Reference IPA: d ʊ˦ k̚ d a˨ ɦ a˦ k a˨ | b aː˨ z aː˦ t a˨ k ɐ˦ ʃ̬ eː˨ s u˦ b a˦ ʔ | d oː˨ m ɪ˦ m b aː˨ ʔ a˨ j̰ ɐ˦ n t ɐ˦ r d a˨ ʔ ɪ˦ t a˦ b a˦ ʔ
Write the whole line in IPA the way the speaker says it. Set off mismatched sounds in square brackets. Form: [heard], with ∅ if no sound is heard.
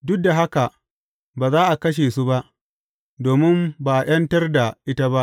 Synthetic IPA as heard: d ʊ˦ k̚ d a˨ ɦ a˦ k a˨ | b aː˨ z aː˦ [ʔ] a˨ k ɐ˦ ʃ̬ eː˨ s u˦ b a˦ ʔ | d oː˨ m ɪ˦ m b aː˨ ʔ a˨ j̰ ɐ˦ n t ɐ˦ r d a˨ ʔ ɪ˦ t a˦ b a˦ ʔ